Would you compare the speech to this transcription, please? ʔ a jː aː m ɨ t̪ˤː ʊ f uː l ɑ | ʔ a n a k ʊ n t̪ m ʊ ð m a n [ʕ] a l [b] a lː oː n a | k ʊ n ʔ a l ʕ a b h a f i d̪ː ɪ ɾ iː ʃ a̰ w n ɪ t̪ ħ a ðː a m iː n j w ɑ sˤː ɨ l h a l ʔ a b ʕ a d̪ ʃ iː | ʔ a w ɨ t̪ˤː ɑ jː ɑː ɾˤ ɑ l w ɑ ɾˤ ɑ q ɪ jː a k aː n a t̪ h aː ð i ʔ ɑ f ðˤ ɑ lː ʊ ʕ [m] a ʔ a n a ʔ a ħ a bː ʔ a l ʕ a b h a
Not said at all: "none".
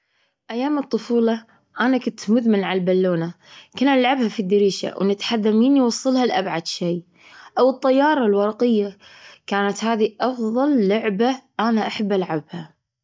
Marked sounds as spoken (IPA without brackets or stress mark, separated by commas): ʕ, b, b